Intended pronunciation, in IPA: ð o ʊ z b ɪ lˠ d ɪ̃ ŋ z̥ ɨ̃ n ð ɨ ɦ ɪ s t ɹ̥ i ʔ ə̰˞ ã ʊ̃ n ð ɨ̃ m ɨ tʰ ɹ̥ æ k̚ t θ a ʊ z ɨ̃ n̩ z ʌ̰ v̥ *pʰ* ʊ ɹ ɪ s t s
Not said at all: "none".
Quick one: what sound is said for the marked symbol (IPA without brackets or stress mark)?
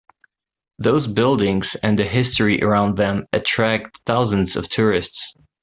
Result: tʰ